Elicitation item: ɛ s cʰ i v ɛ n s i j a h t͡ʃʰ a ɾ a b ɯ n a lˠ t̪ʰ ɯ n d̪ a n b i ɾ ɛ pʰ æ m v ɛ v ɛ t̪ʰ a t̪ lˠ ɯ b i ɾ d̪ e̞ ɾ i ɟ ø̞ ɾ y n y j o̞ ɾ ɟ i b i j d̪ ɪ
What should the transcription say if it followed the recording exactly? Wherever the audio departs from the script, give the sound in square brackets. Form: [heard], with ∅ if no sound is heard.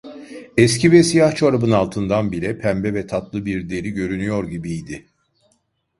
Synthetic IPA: ɛ s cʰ i v ɛ [∅] s i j a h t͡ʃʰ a ɾ a b ɯ n a lˠ t̪ʰ ɯ n d̪ a n b i ɾ ɛ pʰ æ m [b] ɛ v ɛ t̪ʰ a t̪ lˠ ɯ b i ɾ d̪ e̞ ɾ i ɟ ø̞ ɾ y n y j o̞ ɾ ɟ i b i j d̪ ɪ